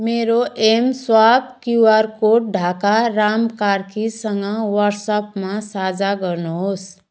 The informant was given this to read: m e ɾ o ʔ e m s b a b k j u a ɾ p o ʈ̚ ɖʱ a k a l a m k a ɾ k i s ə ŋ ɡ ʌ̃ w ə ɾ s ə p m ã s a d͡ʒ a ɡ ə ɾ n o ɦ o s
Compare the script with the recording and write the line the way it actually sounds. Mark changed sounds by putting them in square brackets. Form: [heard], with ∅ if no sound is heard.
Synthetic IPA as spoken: m e ɾ o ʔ e m s [w] a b k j u a ɾ [k] o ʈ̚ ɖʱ a k a [ɾ] a m k a ɾ k i s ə ŋ ɡ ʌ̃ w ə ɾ s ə p m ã s a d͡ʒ a ɡ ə ɾ n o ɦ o s